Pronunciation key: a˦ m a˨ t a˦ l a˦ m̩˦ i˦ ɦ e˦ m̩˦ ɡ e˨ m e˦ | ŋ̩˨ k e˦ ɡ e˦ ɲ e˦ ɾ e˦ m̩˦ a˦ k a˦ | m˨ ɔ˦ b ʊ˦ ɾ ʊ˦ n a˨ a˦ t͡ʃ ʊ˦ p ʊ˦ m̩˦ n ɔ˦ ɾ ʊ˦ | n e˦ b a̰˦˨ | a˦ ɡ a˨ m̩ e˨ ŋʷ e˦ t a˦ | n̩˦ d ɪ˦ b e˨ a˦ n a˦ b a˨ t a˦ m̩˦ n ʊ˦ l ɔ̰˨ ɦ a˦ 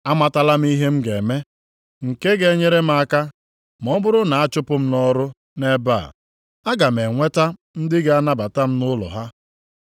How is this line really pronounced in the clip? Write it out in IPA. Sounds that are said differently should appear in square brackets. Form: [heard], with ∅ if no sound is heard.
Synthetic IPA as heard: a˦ m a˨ t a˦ l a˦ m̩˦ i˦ ɦ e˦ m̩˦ ɡ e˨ m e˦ | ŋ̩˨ k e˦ ɡ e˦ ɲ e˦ ɾ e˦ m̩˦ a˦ k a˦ | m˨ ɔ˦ b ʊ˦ ɾ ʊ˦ n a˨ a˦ t͡ʃ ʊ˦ p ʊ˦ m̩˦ n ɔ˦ ɾ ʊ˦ | n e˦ b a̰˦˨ | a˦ ɡ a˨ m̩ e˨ ŋʷ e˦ t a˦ | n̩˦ d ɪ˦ [ɡ] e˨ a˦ n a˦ b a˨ t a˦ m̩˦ n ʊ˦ l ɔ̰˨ ɦ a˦